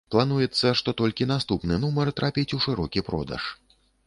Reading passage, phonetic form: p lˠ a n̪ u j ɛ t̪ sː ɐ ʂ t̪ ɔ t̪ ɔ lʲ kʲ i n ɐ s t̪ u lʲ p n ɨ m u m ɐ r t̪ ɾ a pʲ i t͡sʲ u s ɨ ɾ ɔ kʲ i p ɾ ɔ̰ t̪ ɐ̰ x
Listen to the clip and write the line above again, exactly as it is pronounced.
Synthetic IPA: p lˠ a n̪ u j ɛ t̪ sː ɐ ʂ t̪ ɔ t̪ ɔ lʲ kʲ i n a s t̪ u p n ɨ n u m ɐ r t̪ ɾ a pʲ i t͡sʲ u ʂ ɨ ɾ ɔ kʲ i p ɾ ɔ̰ d̪ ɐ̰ ʂ